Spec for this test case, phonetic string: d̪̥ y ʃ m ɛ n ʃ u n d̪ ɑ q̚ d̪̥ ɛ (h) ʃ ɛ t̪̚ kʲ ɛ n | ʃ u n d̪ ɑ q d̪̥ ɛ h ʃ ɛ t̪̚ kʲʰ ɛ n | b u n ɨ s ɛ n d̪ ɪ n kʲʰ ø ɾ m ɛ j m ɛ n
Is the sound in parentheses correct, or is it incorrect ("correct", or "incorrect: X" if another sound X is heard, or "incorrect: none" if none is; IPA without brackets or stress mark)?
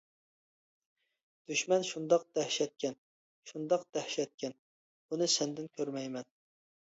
correct